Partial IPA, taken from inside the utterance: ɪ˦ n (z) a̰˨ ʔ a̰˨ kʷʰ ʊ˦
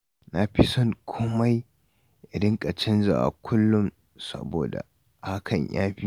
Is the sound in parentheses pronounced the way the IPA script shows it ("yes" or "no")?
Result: yes